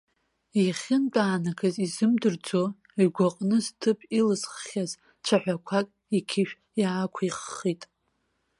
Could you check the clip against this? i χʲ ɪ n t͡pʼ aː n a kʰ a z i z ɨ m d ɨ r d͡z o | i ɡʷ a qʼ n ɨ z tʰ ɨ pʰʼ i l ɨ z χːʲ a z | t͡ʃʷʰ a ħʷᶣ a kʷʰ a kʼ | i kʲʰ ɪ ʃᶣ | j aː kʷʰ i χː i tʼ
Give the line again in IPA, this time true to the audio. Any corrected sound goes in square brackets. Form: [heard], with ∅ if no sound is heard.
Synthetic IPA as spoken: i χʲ ɪ n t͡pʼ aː n a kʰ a z i z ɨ m d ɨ r d͡z o | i ɡʷ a qʼ n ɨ z tʰ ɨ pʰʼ i l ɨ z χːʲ a z | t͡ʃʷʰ a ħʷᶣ a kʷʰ a kʼ | i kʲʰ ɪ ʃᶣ | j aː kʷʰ i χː i tʼ

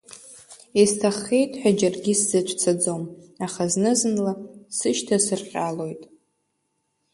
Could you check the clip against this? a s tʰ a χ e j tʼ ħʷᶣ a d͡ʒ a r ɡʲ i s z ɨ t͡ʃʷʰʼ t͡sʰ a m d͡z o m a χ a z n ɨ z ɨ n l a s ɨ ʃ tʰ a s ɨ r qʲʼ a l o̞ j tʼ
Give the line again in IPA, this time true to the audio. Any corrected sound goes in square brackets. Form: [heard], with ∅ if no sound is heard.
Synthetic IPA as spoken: [i] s tʰ a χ e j tʼ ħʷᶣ a d͡ʒ a r ɡʲ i s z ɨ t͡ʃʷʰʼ t͡sʰ a [∅] d͡z o m a χ a z n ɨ z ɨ n l a s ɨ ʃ tʰ a s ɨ r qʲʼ a l o̞ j tʼ

